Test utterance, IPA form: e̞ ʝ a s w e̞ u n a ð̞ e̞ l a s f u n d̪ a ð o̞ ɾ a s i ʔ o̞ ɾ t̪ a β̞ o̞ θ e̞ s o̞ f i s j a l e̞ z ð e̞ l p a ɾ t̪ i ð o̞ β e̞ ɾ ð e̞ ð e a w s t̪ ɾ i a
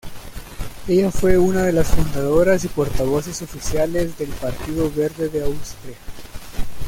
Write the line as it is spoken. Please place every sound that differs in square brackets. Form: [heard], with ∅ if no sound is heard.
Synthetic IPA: e̞ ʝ a [f] w e̞ u n a ð̞ e̞ l a s f u n d̪ a ð o̞ ɾ a s i [p] o̞ ɾ t̪ a β̞ o̞ [s] e̞ s o̞ f i s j a l e̞ z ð e̞ l p a ɾ t̪ i ð o̞ β e̞ ɾ ð e̞ ð e a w s t̪ ɾ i a